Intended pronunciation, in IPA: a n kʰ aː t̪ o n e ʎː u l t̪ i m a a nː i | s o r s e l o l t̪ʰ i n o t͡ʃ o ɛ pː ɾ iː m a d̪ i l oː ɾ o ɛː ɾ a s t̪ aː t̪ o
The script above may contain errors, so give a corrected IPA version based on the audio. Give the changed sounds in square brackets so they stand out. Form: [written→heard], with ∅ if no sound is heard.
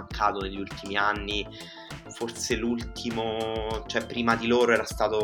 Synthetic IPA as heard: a [n→ŋ] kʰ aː t̪ o n e ʎː u l t̪ i m [a→i] a nː i | [s→f] o r s e l [o→u] l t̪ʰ i [n→m] o t͡ʃ o ɛ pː ɾ iː m a d̪ i l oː ɾ o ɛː ɾ a s t̪ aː t̪ o